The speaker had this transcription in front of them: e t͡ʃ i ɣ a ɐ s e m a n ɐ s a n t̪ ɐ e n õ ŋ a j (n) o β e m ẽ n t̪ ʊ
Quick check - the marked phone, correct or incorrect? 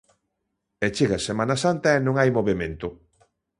incorrect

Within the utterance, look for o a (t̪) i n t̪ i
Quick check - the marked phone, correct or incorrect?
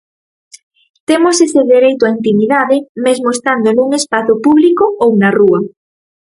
incorrect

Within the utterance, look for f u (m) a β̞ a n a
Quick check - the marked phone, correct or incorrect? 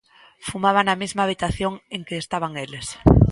correct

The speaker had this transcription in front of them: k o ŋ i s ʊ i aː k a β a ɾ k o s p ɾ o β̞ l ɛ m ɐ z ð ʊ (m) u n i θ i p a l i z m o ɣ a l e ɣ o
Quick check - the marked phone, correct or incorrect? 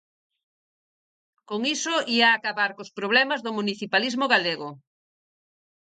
correct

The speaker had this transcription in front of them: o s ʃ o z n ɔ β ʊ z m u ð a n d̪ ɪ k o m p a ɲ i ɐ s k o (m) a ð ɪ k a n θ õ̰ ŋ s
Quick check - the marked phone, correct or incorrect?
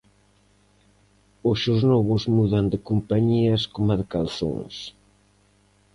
correct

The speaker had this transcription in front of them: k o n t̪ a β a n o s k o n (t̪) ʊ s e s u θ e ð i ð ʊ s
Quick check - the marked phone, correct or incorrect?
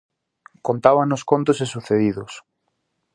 correct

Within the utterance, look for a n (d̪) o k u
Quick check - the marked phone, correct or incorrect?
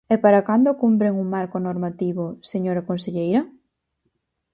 correct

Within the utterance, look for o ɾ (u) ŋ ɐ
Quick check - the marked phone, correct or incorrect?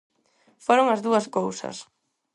incorrect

